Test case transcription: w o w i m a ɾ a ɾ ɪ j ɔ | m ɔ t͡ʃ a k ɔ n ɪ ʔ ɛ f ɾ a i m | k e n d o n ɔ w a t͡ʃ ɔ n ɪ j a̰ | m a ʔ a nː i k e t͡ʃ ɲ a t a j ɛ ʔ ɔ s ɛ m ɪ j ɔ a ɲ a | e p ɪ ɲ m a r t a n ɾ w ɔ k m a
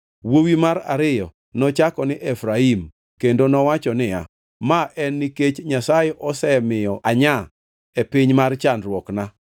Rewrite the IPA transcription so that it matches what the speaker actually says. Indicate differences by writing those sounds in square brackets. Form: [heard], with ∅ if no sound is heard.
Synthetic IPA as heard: w o w i m a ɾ a ɾ ɪ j ɔ | [n] ɔ t͡ʃ a k ɔ n ɪ ʔ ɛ f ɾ a i m | k e n d o n ɔ w a t͡ʃ ɔ n ɪ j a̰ | m a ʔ [ɛ] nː i k e t͡ʃ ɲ a [s] a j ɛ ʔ ɔ s ɛ m ɪ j ɔ a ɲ a | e p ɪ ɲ m a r [t͡ʃ] a n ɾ w ɔ k [n] a